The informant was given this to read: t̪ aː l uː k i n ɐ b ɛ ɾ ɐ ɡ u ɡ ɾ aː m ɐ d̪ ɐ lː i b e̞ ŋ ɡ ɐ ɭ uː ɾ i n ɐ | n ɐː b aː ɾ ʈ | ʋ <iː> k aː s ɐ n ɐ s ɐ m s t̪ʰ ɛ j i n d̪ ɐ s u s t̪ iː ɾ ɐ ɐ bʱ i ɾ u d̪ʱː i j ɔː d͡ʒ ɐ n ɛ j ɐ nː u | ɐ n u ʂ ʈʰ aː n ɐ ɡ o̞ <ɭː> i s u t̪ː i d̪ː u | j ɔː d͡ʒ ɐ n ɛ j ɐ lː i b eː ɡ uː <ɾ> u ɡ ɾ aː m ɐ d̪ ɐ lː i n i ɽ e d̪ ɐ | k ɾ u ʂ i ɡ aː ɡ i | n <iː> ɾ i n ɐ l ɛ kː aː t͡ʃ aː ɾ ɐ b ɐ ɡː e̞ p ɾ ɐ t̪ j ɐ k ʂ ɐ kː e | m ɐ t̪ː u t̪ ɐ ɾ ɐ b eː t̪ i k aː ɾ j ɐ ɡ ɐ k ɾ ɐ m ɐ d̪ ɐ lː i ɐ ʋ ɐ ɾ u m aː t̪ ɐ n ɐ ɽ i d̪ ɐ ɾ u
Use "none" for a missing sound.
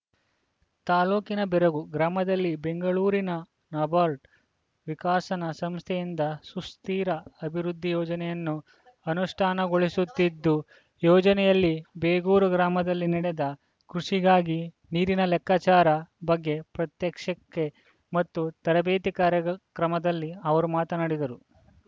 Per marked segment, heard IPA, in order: i, ɭ, ɾ, iː

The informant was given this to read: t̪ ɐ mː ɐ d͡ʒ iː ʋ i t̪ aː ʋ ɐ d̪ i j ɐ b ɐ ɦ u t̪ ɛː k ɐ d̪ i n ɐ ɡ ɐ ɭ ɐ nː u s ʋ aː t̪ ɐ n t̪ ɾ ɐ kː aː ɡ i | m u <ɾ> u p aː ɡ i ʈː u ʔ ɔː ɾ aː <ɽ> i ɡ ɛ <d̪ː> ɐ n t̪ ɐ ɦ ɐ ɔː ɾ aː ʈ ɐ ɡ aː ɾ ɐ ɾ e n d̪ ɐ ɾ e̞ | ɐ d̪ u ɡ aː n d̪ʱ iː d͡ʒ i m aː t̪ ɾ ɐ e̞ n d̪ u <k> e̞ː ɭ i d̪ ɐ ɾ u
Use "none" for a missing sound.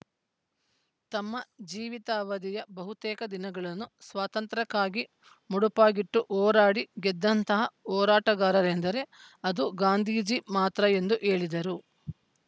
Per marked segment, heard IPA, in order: ɽ, ɽ, d̪ː, ʔ

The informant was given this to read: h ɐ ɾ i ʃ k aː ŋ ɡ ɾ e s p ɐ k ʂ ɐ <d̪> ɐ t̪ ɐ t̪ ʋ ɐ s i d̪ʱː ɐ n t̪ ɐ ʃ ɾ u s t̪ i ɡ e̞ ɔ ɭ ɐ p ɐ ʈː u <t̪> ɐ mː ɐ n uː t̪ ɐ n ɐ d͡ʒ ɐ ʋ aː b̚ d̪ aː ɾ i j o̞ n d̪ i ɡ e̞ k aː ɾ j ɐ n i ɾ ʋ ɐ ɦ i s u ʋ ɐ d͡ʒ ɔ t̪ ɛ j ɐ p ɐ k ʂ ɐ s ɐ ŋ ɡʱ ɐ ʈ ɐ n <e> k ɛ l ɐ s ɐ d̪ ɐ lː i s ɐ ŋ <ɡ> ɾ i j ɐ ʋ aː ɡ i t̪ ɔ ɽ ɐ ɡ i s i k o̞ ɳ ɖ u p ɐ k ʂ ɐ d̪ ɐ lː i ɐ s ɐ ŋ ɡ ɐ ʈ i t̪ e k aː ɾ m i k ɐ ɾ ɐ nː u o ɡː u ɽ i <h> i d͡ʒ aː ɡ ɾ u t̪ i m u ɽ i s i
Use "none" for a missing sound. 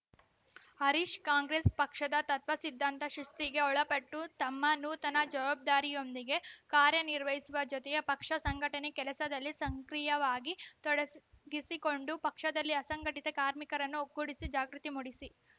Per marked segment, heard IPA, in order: d̪, t̪, e, k, s

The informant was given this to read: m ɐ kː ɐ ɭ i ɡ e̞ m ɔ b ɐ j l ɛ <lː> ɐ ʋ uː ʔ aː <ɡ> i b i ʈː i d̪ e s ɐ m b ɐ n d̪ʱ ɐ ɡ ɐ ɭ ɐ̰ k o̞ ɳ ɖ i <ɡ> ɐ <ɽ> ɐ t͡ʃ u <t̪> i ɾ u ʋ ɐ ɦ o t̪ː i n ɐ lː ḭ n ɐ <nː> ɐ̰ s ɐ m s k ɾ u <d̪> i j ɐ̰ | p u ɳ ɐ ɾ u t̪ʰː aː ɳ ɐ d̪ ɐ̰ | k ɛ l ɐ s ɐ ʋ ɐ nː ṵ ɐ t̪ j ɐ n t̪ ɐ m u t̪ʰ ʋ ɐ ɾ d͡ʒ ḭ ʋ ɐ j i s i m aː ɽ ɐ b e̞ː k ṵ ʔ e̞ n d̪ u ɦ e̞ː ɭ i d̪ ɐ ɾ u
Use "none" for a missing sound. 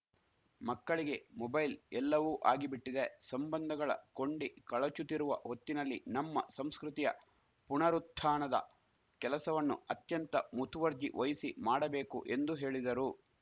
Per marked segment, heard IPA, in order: lː, ɡ, k, ɭ, t̪, mː, t̪

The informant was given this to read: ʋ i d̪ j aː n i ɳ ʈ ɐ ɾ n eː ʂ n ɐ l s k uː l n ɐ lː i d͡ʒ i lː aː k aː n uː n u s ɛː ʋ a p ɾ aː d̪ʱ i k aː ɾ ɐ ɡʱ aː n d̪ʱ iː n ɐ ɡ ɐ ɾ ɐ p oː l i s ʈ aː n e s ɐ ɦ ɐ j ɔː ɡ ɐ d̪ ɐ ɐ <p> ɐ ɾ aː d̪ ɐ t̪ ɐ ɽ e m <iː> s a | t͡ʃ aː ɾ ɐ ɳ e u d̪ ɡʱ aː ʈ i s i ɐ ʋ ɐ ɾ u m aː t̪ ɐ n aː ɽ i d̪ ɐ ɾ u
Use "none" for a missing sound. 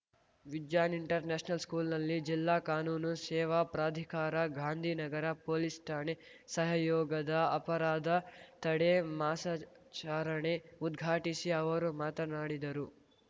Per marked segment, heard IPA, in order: p, aː

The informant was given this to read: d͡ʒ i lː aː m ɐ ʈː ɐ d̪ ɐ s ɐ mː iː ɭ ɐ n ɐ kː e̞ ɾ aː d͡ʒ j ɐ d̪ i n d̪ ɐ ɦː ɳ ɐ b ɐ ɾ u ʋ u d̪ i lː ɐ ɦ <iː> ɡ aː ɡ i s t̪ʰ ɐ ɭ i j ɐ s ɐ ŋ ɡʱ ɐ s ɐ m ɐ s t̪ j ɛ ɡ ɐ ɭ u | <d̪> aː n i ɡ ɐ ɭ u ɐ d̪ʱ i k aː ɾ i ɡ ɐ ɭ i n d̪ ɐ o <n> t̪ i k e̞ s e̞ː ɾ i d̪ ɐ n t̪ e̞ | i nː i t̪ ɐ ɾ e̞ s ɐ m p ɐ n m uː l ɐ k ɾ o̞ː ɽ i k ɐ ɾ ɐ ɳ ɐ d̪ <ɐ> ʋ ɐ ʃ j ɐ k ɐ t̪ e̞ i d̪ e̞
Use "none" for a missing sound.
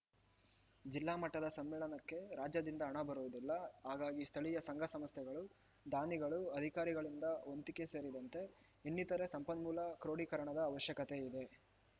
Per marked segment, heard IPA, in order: aː, d̪, n, ɐː

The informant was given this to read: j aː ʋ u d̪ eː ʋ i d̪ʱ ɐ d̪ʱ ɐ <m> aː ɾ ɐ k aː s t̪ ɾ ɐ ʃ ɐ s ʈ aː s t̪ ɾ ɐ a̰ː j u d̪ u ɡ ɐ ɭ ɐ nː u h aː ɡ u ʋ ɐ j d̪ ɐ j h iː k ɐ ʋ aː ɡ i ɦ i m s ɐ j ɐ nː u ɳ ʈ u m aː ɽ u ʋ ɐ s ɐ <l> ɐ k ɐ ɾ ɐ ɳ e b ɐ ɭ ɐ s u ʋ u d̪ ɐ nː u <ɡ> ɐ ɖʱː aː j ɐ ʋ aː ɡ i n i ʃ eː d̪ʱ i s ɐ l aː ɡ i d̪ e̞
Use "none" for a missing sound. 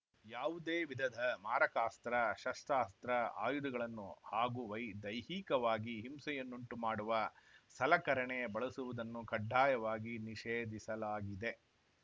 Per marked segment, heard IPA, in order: m, l, k

